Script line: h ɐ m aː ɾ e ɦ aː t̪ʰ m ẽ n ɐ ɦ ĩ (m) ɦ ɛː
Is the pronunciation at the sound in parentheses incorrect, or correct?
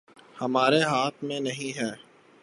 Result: incorrect